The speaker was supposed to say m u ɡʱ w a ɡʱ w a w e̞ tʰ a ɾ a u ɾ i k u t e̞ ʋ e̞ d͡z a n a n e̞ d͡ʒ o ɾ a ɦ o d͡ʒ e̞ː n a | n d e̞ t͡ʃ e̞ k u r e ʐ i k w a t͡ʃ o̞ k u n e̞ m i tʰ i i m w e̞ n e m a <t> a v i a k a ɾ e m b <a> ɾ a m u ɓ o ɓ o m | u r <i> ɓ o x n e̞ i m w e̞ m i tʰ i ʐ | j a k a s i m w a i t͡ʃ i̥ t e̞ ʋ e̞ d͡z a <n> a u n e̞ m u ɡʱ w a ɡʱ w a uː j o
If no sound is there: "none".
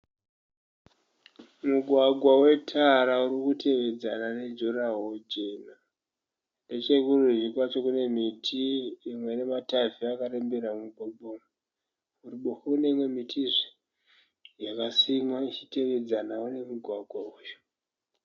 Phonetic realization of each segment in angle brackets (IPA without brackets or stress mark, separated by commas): t, e, i, n